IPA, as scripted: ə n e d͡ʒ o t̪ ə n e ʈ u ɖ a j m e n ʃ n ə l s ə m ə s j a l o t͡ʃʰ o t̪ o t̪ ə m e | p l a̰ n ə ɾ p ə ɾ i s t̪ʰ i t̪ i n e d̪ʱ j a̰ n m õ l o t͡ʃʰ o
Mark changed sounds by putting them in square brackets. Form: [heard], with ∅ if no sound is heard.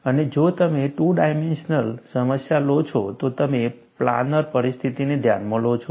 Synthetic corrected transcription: ə n e d͡ʒ o t̪ ə [m] e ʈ u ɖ a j m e n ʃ n ə l s ə m ə s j a l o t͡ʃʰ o t̪ o t̪ ə m e | p l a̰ n ə ɾ p ə ɾ i s t̪ʰ i t̪ i n e d̪ʱ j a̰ n m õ l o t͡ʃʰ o